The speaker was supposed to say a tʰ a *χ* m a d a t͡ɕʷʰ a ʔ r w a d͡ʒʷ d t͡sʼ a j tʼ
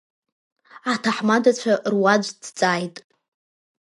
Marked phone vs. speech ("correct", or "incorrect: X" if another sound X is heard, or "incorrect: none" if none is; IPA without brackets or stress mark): incorrect: ħ